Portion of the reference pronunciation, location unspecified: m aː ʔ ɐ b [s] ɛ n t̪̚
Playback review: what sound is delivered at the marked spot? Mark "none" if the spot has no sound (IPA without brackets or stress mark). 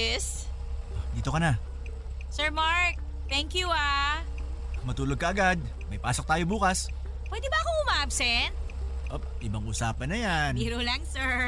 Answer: s